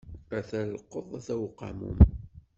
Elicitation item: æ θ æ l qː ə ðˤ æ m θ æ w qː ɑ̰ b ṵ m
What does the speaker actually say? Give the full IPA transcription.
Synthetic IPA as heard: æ θ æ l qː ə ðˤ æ θ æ w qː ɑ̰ m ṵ m